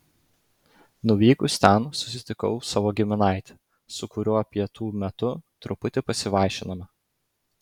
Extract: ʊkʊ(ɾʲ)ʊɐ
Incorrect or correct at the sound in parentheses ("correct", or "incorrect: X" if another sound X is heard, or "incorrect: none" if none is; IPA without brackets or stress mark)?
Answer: correct